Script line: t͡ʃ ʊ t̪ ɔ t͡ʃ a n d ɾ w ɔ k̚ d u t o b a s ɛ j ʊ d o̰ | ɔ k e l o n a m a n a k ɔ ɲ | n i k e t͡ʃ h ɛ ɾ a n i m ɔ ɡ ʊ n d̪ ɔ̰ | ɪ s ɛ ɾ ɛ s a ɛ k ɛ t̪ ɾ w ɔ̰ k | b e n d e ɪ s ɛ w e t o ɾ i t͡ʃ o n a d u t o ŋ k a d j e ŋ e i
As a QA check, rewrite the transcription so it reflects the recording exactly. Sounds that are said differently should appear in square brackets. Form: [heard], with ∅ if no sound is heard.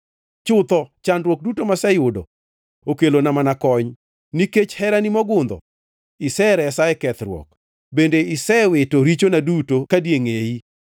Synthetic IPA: t͡ʃ ʊ t̪ ɔ t͡ʃ a n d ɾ w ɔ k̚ d u t o [m] a s ɛ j ʊ d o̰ | [o] k e l o n a m a n a k ɔ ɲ | n i k e t͡ʃ h ɛ ɾ a n i m ɔ ɡ ʊ n d̪ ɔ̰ | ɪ s ɛ ɾ ɛ s a ɛ k ɛ t̪ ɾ w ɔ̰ k | b e n d e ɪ s ɛ w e t o ɾ i t͡ʃ o n a d u t o [∅] k a d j e ŋ e i